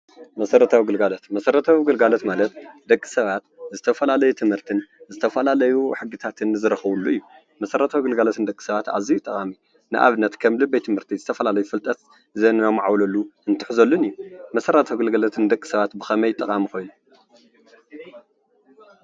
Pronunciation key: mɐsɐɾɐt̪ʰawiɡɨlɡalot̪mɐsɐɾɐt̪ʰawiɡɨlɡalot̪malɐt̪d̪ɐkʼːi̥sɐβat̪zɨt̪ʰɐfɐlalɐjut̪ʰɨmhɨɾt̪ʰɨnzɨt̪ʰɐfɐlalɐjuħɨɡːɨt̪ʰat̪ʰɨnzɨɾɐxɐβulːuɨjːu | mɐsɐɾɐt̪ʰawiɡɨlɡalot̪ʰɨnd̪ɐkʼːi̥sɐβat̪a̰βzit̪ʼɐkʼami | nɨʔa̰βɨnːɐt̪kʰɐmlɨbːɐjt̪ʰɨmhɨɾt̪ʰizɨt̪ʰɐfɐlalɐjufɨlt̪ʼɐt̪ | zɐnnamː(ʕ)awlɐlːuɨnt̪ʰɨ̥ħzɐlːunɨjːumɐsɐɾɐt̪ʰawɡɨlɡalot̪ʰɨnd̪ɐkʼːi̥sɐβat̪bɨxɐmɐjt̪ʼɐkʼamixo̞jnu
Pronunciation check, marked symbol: correct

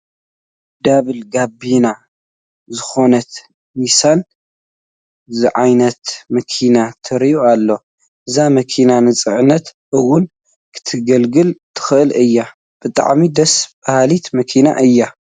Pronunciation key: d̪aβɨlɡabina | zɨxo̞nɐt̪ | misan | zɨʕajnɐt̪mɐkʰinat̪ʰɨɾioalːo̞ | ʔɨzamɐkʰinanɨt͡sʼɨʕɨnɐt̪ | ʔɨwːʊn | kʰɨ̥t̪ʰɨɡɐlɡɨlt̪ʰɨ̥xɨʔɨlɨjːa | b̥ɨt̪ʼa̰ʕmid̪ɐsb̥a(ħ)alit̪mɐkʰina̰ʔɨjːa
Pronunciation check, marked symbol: incorrect: h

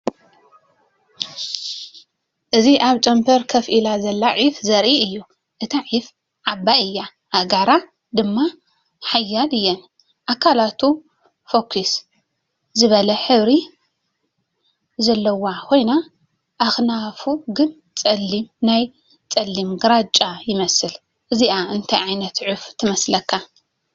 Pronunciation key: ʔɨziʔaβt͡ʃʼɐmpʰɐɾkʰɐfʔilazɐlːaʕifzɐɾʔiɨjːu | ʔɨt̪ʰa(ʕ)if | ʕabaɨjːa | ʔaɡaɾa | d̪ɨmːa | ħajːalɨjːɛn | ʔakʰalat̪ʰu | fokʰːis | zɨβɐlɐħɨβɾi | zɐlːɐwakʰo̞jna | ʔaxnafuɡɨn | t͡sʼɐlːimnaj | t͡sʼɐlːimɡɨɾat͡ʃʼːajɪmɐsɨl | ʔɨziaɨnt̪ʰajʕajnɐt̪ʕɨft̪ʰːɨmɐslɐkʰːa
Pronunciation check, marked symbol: correct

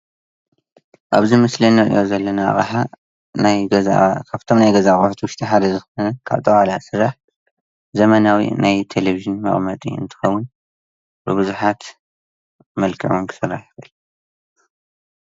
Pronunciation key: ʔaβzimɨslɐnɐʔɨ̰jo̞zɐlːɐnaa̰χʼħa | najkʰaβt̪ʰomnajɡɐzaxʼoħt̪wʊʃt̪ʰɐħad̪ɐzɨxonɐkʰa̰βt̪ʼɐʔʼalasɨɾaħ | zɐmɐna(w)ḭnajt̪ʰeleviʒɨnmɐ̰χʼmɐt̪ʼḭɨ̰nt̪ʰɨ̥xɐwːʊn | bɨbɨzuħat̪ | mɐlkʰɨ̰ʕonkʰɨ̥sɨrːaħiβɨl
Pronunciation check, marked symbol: correct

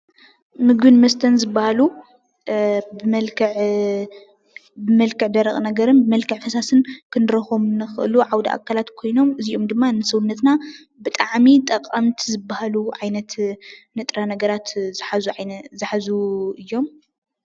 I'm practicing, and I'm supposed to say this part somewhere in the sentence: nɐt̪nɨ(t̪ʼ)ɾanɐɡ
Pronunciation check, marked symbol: correct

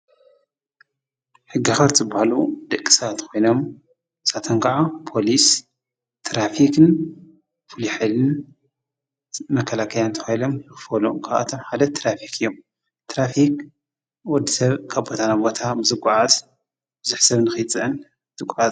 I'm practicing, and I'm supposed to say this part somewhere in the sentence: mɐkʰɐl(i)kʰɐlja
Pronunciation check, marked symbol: incorrect: a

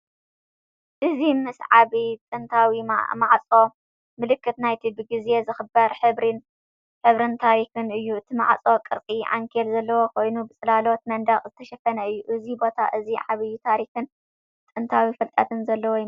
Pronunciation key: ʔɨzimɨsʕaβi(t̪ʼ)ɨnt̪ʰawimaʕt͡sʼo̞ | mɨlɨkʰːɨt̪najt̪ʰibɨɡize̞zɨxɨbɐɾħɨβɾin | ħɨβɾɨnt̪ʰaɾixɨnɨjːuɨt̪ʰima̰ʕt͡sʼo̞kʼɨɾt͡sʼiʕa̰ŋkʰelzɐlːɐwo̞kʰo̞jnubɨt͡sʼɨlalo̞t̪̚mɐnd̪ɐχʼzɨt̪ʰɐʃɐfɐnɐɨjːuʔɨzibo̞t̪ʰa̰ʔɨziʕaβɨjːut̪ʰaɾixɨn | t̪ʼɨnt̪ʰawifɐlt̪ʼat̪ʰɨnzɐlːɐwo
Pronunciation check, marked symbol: correct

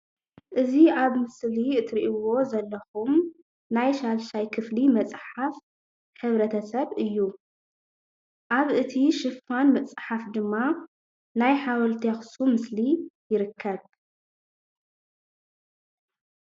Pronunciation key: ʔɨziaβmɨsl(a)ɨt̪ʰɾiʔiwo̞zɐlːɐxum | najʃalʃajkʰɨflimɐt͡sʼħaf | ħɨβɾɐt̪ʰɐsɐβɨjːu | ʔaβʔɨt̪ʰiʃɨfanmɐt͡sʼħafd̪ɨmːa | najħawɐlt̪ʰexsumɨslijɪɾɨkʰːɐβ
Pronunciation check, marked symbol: incorrect: i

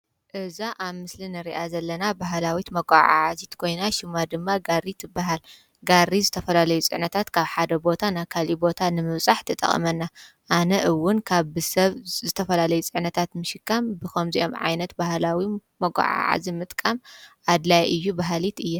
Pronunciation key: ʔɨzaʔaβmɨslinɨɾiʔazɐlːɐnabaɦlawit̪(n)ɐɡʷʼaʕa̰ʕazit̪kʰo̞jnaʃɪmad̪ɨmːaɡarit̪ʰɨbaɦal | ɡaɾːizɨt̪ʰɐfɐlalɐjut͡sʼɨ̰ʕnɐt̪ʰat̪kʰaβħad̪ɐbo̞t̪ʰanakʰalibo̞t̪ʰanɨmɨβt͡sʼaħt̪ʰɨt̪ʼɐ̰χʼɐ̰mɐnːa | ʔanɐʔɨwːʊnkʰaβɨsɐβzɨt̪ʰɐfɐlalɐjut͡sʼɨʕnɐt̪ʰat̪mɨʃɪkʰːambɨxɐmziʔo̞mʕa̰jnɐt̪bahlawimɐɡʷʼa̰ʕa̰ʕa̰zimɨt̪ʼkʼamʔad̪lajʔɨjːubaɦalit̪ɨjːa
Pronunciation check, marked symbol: incorrect: m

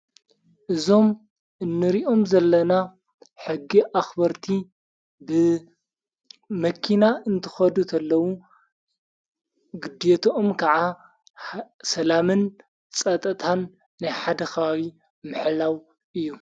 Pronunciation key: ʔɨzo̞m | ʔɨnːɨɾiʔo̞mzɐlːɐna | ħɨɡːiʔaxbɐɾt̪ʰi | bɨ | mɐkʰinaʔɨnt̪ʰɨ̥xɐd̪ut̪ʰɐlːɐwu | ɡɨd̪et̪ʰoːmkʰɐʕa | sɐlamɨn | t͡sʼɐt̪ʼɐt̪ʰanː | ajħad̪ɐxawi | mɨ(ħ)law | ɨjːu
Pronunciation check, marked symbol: correct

